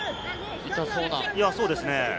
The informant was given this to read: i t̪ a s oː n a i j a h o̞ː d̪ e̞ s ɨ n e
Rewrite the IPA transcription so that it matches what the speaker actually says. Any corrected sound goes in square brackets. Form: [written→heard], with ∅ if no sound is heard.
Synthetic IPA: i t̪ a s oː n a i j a [h→s] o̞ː d̪ e̞ s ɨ n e